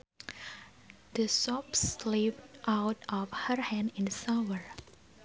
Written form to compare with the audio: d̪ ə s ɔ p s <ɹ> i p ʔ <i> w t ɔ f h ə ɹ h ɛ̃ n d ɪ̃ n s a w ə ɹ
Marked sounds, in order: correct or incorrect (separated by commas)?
incorrect, incorrect